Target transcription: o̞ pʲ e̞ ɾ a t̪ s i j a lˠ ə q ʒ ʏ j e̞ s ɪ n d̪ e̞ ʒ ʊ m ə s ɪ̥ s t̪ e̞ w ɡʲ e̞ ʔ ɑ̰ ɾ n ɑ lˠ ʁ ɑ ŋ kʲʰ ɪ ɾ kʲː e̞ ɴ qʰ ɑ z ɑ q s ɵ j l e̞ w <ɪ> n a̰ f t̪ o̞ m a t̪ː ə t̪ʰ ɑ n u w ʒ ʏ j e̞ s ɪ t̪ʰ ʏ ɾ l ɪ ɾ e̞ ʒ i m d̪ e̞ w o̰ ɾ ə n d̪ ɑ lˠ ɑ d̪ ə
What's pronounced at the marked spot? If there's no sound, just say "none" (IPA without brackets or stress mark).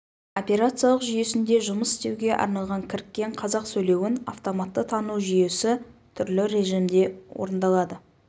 ɪ